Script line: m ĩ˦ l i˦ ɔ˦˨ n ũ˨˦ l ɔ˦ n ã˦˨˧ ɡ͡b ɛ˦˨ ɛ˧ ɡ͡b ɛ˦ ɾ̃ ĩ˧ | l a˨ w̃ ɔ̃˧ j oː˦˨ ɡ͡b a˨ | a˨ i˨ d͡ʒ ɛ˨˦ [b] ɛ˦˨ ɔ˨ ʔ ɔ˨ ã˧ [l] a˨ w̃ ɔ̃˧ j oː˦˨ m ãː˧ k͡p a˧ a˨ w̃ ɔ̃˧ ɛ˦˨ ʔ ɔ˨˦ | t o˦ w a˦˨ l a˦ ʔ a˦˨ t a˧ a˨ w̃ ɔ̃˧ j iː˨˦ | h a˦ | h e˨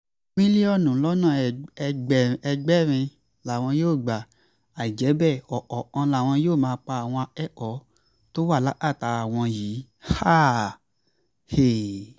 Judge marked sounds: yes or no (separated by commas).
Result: yes, yes